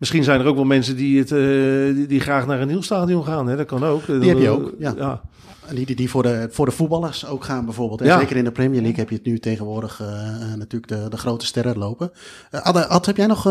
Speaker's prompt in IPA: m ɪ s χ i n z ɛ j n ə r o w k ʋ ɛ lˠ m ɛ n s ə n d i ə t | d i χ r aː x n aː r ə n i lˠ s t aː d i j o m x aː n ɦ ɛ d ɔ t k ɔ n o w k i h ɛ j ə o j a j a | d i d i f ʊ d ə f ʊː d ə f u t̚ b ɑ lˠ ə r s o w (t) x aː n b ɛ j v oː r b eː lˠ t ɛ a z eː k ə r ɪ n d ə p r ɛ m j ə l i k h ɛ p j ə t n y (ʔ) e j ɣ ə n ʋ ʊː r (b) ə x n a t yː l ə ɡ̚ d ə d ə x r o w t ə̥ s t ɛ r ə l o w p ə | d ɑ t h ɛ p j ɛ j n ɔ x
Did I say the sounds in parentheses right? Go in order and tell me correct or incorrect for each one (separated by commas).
incorrect, incorrect, incorrect